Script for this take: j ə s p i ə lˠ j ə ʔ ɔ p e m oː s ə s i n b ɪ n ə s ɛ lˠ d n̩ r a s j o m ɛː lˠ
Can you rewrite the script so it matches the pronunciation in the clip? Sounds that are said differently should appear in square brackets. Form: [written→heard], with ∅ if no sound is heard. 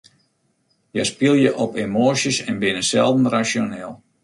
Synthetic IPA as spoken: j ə s p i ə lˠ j ə ʔ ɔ p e m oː s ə s [i→ɛ] n b ɪ n ə s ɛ lˠ d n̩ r a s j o [m→n] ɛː lˠ